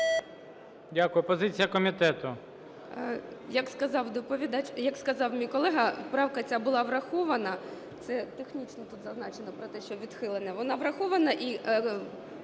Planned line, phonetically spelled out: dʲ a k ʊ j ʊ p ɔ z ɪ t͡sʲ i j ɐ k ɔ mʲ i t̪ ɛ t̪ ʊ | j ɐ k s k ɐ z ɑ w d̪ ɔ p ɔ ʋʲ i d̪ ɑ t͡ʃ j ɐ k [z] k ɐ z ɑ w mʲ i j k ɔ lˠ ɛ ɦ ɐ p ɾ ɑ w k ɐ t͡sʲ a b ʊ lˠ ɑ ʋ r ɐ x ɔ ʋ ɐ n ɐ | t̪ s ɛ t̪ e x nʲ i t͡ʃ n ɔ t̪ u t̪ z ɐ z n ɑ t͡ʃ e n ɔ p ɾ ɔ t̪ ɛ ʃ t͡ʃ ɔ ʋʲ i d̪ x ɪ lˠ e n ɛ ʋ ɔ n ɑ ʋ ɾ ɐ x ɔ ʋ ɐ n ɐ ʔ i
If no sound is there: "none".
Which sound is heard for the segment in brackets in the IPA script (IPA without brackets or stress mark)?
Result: s